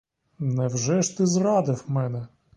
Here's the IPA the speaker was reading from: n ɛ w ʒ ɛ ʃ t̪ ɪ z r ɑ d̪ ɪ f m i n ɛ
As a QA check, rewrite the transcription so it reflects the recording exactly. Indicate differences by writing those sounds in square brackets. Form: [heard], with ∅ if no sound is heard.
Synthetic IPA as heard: n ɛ w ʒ ɛ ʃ t̪ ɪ z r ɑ d̪ ɪ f m [ɛ] n ɛ